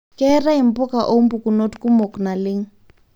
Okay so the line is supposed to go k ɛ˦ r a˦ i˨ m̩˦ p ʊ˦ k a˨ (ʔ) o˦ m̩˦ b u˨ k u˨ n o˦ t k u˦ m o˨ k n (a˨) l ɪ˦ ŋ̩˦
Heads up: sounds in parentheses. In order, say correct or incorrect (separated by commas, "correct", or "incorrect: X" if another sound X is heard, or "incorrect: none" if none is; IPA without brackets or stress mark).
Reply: correct, correct